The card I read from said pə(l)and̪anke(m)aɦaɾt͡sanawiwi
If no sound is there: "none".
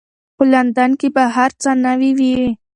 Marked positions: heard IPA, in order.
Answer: l, b

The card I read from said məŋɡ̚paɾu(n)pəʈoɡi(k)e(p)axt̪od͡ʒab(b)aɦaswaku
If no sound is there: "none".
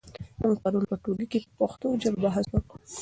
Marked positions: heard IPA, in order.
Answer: n, k, p, b

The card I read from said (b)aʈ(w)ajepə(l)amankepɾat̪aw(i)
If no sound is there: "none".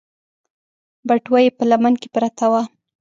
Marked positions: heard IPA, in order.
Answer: b, w, l, a

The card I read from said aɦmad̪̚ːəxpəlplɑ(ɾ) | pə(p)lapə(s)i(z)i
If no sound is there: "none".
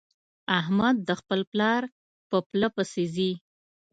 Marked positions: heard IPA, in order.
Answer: ɾ, p, s, z

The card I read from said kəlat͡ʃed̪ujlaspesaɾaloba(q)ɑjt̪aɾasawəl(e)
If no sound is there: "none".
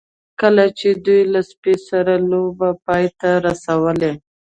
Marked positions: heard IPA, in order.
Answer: p, e

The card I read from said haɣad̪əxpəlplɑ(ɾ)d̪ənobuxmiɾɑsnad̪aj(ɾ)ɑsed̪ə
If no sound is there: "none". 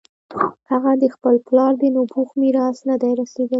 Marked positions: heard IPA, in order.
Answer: ɾ, ɾ

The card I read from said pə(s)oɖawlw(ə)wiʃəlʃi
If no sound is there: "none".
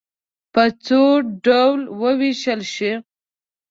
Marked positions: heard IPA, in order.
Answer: t͡s, ə

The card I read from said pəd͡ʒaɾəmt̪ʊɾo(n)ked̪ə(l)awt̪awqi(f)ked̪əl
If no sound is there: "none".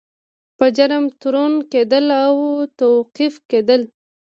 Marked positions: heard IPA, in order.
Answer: n, l, f

